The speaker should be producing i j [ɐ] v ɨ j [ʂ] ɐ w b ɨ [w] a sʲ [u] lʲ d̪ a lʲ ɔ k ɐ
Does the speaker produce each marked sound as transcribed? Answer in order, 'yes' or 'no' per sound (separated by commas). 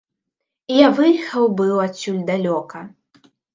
no, no, yes, yes